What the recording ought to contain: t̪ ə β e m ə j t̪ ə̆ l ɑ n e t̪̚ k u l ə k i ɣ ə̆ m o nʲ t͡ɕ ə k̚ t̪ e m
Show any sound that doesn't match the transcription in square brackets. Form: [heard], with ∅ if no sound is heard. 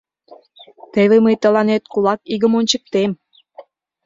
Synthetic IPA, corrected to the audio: t̪ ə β e m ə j t̪ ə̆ l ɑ n e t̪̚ k u l [ɑ] k i ɣ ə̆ m o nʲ t͡ɕ ə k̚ t̪ e m